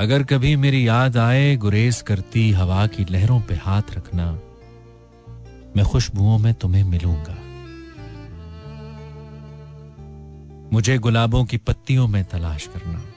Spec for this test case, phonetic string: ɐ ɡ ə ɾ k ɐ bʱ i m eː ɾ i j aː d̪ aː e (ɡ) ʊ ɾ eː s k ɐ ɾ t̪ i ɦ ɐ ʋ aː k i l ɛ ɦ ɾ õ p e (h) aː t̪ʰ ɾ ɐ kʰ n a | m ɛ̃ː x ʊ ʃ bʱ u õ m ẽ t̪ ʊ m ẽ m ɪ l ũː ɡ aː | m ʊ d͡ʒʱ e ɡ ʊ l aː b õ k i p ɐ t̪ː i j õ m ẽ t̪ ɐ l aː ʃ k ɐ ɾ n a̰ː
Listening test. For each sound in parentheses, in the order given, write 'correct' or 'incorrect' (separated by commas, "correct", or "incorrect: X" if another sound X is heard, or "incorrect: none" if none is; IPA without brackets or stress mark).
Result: correct, correct